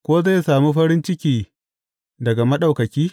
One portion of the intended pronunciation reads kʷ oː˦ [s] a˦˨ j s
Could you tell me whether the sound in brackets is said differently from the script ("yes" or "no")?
yes